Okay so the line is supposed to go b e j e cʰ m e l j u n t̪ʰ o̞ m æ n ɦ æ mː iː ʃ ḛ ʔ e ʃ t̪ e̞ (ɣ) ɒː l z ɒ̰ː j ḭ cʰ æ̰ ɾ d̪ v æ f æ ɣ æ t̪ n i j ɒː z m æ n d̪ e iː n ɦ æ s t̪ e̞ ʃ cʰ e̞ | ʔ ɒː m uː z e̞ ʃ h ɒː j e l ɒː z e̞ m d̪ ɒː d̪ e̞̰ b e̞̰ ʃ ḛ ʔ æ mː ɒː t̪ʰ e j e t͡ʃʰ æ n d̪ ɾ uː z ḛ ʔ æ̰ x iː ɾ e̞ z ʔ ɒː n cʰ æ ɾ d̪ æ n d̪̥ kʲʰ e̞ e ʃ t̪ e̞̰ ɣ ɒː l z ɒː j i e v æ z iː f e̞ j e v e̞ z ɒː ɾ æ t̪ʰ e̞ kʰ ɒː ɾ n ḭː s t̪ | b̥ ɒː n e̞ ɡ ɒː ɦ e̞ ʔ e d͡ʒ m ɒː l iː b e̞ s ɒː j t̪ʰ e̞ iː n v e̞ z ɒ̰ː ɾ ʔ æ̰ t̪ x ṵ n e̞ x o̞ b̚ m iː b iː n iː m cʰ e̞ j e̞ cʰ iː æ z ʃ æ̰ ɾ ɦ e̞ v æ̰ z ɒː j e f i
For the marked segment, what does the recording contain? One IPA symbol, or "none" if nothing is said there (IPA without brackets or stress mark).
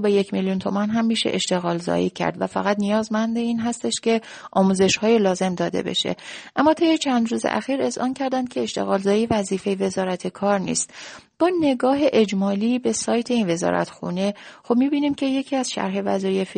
ɣ